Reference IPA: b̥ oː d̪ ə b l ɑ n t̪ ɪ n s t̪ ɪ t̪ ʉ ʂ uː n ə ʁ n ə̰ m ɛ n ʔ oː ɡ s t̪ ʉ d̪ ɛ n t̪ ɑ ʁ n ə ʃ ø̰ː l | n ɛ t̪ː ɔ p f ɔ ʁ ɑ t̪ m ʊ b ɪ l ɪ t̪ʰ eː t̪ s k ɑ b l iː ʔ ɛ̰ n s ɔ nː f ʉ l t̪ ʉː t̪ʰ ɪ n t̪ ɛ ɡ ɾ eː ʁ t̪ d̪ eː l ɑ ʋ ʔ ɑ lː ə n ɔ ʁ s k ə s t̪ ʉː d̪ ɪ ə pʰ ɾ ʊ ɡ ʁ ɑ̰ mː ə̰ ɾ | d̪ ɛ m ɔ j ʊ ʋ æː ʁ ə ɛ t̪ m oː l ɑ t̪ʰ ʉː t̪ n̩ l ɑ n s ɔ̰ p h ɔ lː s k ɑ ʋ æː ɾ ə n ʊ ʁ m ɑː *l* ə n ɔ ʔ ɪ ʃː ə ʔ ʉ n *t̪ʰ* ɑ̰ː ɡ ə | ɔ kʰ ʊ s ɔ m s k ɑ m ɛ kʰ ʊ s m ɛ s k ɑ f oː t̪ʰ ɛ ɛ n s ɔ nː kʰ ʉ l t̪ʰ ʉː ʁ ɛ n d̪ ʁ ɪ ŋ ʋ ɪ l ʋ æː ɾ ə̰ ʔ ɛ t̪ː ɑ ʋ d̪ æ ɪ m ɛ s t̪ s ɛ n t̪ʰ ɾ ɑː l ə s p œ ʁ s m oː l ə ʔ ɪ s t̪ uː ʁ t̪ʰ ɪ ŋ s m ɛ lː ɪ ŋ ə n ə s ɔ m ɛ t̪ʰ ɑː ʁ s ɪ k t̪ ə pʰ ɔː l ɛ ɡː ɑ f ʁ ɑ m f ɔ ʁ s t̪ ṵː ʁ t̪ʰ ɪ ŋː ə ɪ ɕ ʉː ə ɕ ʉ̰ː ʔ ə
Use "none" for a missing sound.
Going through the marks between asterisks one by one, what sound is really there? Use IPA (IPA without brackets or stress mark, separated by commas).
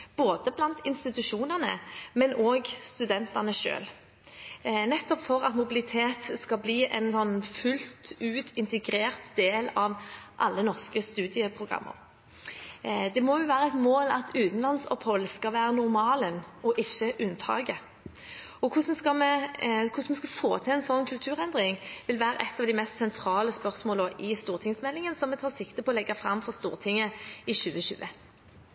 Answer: l, t̪ʰ